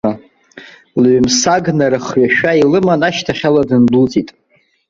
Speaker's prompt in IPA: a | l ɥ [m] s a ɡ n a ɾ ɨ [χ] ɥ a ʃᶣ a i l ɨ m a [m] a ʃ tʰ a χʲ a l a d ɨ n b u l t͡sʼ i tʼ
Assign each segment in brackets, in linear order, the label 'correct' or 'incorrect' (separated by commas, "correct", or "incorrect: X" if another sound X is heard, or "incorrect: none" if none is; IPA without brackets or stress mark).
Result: correct, correct, incorrect: n